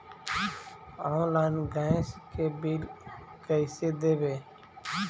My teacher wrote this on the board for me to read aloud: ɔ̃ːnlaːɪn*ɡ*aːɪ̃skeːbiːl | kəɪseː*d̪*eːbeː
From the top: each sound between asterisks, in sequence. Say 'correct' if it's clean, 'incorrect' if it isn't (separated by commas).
correct, correct